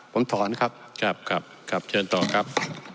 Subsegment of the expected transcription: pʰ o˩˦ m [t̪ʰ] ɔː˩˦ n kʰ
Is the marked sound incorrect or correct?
correct